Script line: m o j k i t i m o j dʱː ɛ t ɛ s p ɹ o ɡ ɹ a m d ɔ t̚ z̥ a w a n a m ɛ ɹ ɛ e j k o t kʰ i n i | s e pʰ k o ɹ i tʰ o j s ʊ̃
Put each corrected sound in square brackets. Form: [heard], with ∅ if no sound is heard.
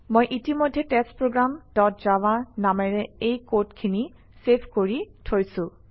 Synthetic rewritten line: m o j [ʔ] i t i m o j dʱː ɛ t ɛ s p ɹ o ɡ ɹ a m d ɔ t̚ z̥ a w a n a m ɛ ɹ ɛ e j k o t kʰ i n i | s e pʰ k o ɹ i tʰ o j s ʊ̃

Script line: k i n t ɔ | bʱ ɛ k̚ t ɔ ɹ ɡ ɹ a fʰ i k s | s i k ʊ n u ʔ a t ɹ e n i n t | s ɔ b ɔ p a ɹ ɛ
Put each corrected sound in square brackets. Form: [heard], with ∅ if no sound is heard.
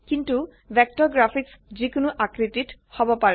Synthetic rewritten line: k i n t [u] | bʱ ɛ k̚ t ɔ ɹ ɡ ɹ a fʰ i k s | [z] i k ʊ n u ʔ a [k] ɹ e [d] i [∅] t | [h] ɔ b ɔ p a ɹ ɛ

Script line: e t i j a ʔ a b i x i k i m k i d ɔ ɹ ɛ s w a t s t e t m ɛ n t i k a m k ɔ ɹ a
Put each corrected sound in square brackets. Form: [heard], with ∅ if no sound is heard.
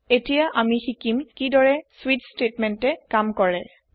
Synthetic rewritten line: e t i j a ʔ a [m] i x i k i m k i d ɔ ɹ ɛ s w [i] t s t e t m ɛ n t [ɛ] k a m k ɔ ɹ [ɛ]

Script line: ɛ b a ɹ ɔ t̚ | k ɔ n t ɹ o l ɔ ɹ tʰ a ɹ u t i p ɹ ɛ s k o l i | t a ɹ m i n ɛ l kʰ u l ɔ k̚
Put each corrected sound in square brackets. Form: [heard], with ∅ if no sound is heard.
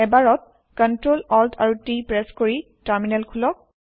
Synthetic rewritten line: ɛ b a ɹ ɔ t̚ | k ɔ n t ɹ o l ɔ [l] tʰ a ɹ u t i p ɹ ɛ s k o [ɹ] i | t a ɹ m i n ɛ l kʰ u l ɔ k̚

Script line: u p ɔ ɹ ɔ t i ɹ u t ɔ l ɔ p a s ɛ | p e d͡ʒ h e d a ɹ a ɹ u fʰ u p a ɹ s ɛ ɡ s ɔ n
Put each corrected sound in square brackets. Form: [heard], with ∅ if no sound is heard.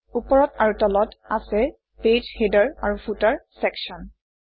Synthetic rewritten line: u p ɔ ɹ ɔ t [a] ɹ u t ɔ l ɔ [t] a s ɛ | p e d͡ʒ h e d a ɹ a ɹ u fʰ u [t] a ɹ s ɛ [k] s ɔ n

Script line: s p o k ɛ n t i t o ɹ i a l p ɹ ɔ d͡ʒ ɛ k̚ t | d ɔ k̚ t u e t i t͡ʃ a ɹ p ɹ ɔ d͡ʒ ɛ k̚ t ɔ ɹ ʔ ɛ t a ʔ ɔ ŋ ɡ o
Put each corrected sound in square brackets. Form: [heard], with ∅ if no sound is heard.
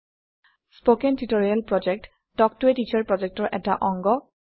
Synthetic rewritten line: s p o k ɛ n t i t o ɹ i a l p ɹ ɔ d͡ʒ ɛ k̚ t | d ɔ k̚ t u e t i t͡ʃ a ɹ p ɹ ɔ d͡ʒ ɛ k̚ t ɔ ɹ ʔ ɛ t a ʔ ɔ ŋ ɡ [ɔ]

